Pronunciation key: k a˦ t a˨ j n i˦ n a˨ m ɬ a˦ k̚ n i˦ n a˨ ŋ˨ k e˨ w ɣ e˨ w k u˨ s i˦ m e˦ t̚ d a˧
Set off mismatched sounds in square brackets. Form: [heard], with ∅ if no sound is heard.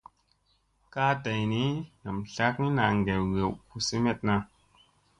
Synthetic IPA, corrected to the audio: k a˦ t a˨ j n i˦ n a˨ m ɬ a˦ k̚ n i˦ n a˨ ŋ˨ [ɡ] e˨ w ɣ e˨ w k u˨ s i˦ m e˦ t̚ [n] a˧